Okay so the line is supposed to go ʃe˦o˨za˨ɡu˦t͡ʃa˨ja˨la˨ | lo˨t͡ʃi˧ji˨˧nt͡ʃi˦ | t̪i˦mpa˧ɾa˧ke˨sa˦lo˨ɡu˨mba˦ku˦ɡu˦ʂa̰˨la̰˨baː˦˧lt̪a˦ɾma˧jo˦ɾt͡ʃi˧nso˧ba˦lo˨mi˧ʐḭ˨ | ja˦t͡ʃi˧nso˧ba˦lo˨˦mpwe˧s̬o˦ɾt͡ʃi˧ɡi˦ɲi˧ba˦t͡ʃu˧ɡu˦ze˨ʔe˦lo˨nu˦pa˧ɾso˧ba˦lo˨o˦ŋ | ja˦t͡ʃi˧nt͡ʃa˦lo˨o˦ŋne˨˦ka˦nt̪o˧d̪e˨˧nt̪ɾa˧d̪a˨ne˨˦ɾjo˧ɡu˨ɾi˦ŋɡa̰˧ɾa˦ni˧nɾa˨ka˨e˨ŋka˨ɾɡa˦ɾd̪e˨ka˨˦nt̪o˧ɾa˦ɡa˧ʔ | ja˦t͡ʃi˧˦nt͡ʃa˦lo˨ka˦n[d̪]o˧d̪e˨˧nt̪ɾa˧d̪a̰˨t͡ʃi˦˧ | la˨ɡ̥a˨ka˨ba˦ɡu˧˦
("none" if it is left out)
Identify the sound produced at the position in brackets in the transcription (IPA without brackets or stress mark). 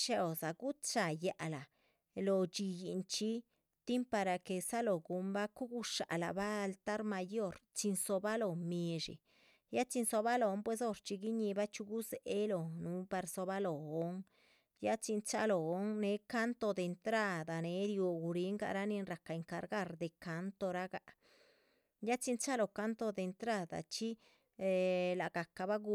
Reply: t̪